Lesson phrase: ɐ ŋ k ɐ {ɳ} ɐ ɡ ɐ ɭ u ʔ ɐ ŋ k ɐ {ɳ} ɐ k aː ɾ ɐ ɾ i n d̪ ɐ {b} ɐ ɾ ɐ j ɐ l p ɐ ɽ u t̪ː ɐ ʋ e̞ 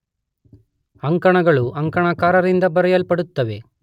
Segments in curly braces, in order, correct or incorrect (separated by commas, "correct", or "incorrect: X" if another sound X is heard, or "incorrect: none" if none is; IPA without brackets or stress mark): correct, correct, correct